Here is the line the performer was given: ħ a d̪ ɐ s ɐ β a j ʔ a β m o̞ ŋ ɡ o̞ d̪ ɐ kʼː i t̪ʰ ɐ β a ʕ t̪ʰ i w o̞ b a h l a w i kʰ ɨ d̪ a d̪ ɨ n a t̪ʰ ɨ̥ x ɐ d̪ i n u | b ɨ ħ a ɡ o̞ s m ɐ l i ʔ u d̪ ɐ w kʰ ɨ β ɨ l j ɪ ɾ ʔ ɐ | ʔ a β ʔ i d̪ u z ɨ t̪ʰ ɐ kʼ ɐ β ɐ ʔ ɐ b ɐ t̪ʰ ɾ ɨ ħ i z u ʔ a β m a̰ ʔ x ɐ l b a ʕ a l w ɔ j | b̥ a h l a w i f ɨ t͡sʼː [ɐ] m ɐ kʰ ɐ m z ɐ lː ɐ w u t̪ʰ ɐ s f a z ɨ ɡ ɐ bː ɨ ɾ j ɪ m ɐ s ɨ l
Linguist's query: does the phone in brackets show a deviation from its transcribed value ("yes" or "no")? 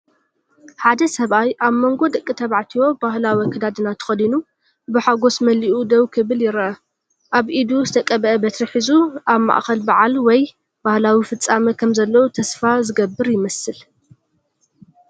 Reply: yes